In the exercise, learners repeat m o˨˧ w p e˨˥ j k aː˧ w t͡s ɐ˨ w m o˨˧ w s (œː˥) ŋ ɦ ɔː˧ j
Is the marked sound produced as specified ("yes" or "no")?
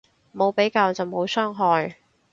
yes